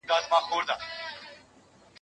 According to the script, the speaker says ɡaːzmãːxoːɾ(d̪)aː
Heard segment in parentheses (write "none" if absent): d̪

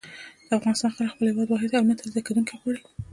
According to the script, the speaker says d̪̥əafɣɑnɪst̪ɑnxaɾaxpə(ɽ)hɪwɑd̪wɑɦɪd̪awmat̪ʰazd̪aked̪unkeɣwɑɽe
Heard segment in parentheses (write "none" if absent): l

